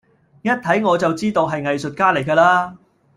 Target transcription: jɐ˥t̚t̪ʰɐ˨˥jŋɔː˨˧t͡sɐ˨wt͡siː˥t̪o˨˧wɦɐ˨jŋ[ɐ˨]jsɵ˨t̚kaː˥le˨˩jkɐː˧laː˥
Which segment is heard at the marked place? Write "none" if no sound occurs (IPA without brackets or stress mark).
ɐ˨